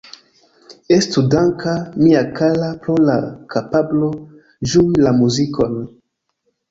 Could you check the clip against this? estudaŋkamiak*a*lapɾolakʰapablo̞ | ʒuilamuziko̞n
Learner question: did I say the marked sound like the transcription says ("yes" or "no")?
yes